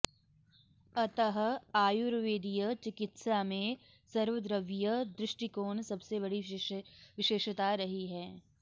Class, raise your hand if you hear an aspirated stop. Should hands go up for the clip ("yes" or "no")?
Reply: no